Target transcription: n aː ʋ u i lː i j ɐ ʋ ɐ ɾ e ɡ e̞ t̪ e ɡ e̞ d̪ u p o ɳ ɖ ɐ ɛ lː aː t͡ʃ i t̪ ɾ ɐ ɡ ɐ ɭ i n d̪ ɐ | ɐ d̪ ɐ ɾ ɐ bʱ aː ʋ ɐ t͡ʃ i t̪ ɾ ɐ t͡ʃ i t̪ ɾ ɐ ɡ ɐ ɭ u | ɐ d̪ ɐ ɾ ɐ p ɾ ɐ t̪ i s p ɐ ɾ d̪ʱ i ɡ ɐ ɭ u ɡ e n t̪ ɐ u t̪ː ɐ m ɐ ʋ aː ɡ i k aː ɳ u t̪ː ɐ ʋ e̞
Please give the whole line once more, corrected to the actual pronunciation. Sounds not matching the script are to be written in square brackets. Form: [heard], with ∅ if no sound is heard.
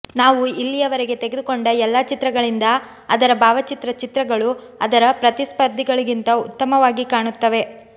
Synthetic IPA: n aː ʋ u i lː i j ɐ ʋ ɐ ɾ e ɡ e̞ t̪ e ɡ e̞ d̪ u [k] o ɳ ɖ ɐ ɛ lː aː t͡ʃ i t̪ ɾ ɐ ɡ ɐ ɭ i n d̪ ɐ | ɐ d̪ ɐ ɾ ɐ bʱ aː ʋ ɐ t͡ʃ i t̪ ɾ ɐ t͡ʃ i t̪ ɾ ɐ ɡ ɐ ɭ u | ɐ d̪ ɐ ɾ ɐ p ɾ ɐ t̪ i s p ɐ ɾ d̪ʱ i ɡ ɐ ɭ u ɡ [i] n t̪ ɐ u t̪ː ɐ m ɐ ʋ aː ɡ i k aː ɳ u t̪ː ɐ ʋ e̞